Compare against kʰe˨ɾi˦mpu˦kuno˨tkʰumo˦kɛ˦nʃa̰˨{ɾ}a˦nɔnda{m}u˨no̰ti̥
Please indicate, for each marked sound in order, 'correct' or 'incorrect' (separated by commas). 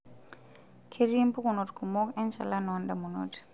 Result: incorrect, correct